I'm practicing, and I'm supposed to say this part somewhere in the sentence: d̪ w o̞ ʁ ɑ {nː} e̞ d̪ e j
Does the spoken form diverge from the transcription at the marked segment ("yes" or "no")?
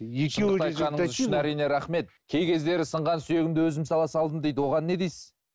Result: no